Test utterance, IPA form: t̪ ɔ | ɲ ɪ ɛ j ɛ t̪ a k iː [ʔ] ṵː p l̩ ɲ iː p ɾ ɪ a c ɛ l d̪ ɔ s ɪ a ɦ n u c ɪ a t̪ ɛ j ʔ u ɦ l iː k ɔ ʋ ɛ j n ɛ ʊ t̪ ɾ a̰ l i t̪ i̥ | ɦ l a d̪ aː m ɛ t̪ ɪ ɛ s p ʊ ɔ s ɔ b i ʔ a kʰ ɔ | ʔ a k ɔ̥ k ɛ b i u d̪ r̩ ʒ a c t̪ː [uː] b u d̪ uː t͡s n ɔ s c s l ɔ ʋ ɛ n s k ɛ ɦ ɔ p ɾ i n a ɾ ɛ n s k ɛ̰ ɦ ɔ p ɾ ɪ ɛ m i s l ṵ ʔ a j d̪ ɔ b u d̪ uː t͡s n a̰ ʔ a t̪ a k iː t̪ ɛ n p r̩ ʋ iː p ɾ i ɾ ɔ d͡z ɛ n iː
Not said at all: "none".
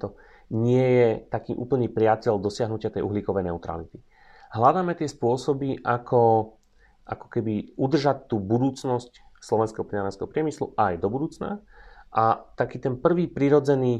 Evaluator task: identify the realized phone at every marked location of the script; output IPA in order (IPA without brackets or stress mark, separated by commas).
ʔ, uː